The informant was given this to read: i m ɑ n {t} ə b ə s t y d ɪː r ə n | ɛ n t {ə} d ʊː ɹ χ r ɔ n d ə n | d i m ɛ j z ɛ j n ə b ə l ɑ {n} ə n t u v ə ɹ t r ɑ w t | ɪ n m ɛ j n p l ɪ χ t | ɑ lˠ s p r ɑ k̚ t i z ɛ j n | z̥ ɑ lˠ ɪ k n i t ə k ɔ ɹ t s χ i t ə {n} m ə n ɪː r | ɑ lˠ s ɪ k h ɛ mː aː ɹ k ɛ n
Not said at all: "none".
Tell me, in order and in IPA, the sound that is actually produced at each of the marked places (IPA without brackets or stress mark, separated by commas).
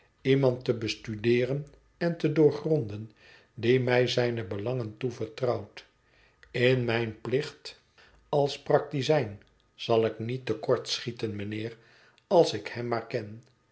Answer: t, ə, ŋ, n